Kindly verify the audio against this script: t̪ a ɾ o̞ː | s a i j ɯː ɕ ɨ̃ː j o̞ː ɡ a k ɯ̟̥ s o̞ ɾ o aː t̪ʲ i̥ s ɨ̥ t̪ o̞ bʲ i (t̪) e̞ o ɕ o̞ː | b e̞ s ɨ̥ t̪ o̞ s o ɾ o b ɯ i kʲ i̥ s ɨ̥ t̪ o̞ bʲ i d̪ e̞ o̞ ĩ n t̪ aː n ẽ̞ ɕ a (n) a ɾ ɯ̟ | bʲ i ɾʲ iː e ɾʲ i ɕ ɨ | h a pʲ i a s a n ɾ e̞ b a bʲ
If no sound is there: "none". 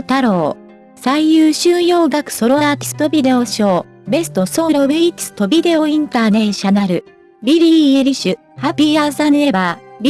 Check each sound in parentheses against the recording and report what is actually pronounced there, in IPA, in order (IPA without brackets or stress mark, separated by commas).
d̪, n